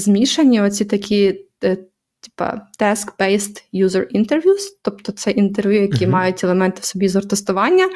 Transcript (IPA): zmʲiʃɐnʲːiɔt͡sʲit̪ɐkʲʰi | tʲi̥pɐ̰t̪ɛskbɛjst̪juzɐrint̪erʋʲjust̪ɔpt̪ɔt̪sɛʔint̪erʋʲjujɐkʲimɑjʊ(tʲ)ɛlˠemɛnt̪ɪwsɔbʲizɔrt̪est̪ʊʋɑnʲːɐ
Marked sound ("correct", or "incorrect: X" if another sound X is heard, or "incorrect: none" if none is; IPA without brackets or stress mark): correct